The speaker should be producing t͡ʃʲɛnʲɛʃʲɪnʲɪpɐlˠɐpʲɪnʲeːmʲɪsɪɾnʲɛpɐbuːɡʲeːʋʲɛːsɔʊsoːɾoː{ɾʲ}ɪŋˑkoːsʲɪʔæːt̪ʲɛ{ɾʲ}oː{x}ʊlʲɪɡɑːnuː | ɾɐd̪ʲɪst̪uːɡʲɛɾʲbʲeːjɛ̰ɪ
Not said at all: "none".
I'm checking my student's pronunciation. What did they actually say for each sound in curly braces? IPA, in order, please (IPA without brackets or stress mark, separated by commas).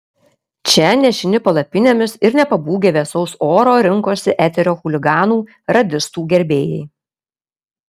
ɾʲ, ɾʲ, x